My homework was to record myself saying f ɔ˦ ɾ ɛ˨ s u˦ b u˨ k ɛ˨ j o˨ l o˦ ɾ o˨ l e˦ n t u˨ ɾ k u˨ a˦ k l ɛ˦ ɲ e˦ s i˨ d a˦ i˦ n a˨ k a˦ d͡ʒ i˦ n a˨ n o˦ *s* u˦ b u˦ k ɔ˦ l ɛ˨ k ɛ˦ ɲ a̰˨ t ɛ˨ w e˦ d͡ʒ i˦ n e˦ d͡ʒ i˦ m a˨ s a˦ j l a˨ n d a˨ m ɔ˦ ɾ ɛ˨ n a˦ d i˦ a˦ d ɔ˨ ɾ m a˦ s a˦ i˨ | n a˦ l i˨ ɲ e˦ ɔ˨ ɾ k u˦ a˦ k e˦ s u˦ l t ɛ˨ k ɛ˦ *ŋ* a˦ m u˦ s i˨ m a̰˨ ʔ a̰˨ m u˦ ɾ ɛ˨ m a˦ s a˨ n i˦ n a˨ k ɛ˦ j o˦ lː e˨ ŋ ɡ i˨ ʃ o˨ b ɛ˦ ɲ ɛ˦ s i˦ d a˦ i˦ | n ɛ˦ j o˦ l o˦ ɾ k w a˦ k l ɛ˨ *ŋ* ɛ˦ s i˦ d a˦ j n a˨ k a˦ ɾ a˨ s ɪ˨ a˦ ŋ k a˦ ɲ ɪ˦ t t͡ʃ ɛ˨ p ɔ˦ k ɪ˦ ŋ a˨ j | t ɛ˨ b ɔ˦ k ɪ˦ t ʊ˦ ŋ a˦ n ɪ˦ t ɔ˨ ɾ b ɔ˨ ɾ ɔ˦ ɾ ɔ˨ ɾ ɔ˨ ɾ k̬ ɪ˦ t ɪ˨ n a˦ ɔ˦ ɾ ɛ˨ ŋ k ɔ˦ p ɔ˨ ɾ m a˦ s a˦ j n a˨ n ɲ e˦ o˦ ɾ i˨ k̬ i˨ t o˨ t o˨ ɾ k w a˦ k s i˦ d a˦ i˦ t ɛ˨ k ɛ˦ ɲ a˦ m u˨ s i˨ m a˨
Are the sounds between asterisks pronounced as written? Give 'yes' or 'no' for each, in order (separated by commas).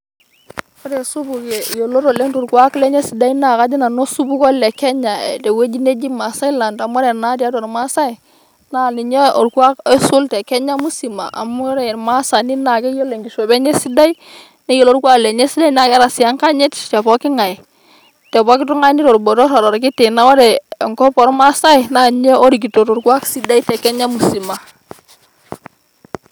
yes, no, no